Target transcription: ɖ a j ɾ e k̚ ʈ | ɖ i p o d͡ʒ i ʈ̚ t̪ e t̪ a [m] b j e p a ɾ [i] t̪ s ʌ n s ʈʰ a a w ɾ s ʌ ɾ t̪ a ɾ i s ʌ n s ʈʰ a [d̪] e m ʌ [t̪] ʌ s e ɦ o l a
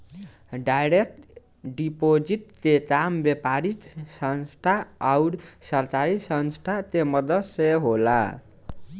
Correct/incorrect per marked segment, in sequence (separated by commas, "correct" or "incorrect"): correct, correct, incorrect, incorrect